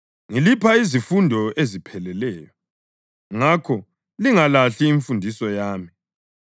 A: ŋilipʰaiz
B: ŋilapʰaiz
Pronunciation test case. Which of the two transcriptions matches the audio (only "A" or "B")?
A